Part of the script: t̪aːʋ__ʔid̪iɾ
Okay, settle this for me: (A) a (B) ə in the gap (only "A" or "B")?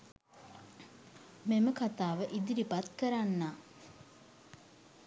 B